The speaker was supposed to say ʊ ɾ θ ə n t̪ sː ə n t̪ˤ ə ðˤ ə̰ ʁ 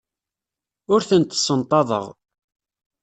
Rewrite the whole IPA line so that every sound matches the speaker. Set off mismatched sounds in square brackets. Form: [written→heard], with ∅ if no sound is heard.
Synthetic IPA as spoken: ʊ ɾ θ ə n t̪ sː ə n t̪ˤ [ə→ɑ] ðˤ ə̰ ʁ